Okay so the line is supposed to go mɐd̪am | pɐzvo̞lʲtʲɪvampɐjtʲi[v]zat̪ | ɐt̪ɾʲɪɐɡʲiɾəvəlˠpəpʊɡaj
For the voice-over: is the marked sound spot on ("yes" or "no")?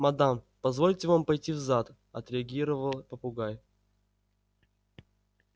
yes